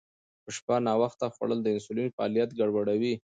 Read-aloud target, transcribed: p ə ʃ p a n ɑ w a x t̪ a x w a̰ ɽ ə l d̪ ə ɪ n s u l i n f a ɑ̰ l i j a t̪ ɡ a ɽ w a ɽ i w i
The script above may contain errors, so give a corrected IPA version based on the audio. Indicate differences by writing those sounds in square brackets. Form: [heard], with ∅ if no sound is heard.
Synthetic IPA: p ə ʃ p a n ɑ w a x t̪ a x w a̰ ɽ ə l d̪ ə ɪ n s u l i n f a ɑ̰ l i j a t̪ ɡ a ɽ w a ɽ [a] w i